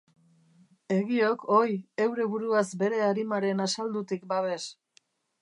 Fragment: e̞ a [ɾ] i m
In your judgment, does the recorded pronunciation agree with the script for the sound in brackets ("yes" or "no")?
yes